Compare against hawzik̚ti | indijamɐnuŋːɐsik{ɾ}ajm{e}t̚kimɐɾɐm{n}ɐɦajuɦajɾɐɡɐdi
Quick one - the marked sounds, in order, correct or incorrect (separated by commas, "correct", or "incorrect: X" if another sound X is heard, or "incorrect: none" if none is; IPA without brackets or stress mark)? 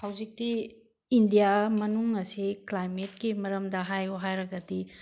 incorrect: l, correct, incorrect: d